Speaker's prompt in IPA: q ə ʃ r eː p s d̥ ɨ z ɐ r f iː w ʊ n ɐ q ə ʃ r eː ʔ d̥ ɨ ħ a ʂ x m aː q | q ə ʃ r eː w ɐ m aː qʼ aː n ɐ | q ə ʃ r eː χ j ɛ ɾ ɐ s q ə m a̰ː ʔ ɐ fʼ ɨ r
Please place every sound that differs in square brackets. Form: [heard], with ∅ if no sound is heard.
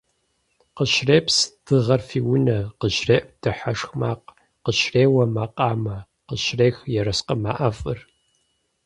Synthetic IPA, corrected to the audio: q ə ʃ r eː p s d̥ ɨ [ʁ] ɐ r f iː w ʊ n ɐ q ə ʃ r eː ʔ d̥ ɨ ħ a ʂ x m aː q | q ə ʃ r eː w ɐ m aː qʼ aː [m] ɐ | q ə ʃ r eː [x] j ɛ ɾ ɐ s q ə m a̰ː ʔ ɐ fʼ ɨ r